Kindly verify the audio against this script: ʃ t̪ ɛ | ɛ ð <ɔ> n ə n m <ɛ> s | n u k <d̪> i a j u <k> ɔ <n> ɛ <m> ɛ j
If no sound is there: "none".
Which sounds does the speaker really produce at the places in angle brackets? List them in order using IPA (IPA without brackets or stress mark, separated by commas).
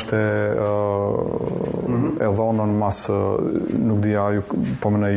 ɔ, a, d̪, p, m, n